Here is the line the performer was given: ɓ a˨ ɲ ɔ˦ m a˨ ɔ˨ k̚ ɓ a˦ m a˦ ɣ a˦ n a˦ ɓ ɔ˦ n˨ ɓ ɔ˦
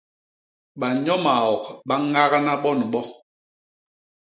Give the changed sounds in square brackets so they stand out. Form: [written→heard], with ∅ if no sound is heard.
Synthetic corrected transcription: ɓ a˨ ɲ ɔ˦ m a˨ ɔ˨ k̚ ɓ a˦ [m→ŋ] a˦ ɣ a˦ n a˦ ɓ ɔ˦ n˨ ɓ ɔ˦